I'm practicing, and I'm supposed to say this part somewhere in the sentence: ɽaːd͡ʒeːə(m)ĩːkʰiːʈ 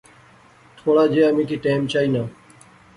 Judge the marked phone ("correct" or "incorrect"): correct